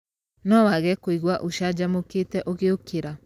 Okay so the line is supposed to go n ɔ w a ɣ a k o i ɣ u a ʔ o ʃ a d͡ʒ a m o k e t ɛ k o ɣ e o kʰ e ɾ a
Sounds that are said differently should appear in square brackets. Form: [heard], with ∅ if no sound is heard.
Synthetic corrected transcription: n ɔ w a ɣ [ɛ] k o i ɣ [w] a ʔ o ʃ a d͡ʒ a m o k e t ɛ [ʔ] o ɣ e o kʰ e ɾ a